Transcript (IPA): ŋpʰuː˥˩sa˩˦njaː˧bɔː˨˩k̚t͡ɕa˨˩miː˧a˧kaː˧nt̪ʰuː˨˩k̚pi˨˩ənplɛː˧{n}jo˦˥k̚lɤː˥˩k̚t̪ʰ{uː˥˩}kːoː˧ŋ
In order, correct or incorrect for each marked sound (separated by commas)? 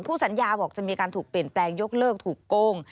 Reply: incorrect, incorrect